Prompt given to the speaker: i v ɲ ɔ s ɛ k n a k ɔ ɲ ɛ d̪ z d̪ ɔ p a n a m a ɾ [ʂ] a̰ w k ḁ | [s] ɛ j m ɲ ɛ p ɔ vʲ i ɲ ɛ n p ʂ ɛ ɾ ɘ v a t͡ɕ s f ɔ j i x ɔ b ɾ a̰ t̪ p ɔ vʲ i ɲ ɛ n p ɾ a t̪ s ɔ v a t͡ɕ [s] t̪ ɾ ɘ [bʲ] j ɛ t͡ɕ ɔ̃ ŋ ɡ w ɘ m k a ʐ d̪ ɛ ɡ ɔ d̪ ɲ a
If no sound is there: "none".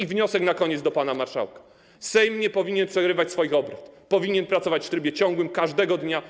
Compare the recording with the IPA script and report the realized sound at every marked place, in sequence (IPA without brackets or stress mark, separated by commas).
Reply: ʂ, s, f, bʲ